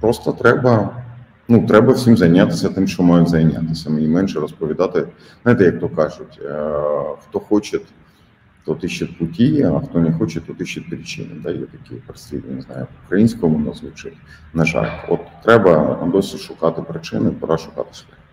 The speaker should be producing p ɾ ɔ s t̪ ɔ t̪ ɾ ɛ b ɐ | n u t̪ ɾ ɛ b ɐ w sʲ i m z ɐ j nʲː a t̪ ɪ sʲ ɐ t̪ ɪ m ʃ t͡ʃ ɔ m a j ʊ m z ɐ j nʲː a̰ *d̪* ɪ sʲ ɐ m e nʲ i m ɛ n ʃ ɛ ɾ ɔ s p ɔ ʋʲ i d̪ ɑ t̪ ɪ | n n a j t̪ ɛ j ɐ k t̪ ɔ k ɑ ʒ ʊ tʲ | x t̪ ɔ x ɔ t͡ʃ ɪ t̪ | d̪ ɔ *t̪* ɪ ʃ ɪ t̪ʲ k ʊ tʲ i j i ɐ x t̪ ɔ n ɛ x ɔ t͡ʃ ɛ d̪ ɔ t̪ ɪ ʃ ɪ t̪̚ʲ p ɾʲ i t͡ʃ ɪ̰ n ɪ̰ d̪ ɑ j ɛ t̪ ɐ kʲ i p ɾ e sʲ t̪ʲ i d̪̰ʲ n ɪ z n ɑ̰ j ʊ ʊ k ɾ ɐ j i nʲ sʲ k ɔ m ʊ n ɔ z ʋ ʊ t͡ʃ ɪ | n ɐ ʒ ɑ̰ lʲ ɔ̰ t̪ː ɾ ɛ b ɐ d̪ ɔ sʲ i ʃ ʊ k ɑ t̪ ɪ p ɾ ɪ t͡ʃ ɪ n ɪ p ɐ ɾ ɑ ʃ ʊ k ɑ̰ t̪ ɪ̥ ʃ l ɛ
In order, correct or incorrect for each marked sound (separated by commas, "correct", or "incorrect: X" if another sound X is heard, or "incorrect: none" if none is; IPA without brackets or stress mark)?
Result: incorrect: t̪, correct